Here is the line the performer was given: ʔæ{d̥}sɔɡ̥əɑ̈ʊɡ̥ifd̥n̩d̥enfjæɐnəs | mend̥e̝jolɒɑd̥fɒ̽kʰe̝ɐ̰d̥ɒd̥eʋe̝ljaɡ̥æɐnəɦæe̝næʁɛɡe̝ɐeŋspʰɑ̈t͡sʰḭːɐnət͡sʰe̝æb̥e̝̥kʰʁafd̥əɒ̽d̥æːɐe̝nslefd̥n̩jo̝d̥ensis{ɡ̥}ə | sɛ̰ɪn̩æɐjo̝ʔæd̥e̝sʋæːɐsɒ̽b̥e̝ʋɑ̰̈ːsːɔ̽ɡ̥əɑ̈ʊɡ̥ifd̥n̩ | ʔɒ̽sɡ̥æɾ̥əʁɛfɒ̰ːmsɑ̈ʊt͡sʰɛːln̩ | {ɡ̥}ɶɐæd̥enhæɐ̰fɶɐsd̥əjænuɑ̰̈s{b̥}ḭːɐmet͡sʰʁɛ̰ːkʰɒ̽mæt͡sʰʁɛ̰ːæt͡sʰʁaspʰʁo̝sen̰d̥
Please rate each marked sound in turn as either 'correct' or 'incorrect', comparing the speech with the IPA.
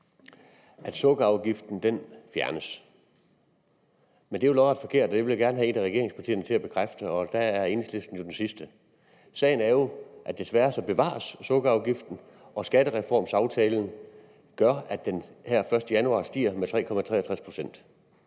correct, incorrect: d̥, correct, incorrect: d̥

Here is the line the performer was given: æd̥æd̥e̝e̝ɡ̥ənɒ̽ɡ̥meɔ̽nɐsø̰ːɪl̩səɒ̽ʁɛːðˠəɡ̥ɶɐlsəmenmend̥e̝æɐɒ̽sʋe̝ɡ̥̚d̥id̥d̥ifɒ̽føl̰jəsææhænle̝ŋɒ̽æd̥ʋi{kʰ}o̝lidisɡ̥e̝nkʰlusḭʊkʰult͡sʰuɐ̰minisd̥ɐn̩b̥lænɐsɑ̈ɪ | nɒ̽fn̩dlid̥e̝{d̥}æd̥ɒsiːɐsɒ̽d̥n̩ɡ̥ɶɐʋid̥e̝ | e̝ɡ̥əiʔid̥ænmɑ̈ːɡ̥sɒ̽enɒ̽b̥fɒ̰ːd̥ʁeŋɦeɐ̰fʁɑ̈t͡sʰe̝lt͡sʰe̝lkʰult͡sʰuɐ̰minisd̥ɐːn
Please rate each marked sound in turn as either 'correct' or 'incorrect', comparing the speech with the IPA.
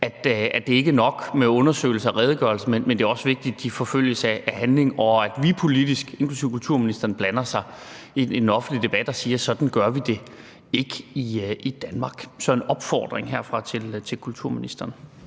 incorrect: pʰ, incorrect: b̥

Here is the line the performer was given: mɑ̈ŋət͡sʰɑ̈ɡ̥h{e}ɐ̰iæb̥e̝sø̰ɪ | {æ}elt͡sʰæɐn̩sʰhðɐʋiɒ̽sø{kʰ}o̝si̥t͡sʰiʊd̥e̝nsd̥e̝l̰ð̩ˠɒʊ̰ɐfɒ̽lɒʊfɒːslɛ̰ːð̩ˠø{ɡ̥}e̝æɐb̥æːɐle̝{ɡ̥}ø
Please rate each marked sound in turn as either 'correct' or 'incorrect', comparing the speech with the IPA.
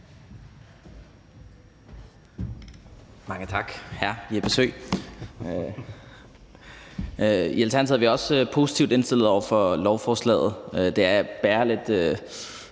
incorrect: æ, incorrect: i, incorrect: pʰ, incorrect: d̥, incorrect: d̥

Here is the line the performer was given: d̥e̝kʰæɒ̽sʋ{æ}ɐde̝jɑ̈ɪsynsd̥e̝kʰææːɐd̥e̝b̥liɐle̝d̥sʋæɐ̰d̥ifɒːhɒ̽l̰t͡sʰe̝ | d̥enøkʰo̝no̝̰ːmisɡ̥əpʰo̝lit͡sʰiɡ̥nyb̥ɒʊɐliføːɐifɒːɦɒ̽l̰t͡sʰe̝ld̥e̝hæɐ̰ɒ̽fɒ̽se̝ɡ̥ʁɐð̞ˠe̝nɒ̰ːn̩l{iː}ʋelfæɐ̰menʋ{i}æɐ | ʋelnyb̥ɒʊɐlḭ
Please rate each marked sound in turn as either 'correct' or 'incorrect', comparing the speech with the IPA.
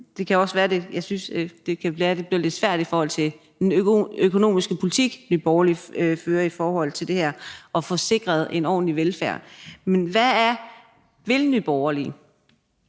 incorrect: æː, incorrect: i, incorrect: æ

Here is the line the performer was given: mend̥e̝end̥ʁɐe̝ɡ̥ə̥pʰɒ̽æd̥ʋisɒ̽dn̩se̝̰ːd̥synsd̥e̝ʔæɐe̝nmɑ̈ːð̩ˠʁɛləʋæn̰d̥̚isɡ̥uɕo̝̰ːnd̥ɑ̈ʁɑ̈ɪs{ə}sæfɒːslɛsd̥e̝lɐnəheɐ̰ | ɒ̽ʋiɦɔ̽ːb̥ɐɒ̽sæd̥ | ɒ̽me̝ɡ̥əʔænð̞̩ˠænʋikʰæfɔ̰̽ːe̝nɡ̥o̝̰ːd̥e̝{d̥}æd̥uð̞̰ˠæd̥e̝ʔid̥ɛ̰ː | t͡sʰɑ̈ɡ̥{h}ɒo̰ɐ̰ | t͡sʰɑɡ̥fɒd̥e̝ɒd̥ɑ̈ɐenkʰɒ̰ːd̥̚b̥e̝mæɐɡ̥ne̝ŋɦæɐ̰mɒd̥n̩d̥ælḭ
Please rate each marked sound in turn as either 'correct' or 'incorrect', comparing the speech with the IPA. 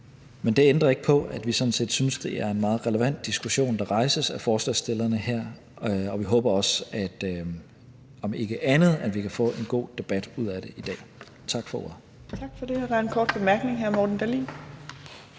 correct, incorrect: b̥, incorrect: f

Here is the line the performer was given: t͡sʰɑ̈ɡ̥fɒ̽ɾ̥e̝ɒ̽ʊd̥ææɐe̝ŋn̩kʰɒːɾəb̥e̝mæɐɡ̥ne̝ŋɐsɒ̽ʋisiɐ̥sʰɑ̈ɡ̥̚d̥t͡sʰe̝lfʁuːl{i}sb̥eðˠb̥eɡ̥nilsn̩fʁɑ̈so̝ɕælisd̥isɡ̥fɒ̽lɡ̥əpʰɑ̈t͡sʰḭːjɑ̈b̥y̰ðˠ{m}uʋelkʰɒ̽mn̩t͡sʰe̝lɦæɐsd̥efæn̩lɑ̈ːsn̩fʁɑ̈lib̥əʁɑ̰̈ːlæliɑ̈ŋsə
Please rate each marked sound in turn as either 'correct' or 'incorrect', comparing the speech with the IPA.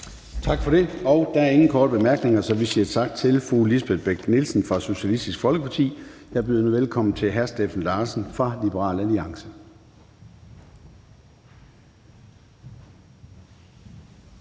correct, incorrect: n

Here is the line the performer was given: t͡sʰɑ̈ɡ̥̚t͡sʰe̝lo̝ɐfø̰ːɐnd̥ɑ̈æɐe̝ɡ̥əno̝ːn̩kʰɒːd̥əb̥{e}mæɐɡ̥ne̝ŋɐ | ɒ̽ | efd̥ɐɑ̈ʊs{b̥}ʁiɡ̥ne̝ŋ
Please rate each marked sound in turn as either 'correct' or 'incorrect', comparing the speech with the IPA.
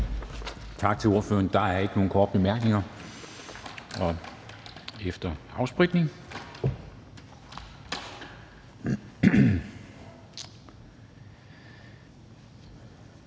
correct, correct

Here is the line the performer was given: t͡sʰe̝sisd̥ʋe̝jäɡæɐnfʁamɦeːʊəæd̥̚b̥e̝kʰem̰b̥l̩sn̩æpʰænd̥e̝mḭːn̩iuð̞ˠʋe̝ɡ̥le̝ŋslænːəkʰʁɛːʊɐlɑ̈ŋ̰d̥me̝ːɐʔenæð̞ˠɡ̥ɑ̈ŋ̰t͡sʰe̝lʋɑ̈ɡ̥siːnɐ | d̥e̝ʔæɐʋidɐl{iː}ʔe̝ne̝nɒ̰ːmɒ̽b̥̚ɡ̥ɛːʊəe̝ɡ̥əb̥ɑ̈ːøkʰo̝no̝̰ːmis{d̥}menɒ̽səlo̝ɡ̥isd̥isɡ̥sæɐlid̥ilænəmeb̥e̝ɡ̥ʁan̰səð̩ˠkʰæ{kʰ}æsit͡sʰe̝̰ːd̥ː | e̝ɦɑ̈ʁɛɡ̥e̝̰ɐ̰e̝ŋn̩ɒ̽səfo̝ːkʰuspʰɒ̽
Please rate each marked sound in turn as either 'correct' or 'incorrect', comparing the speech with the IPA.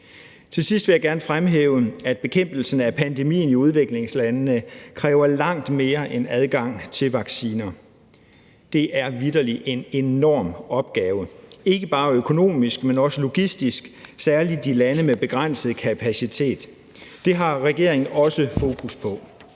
incorrect: i, incorrect: ɡ̥, incorrect: pʰ

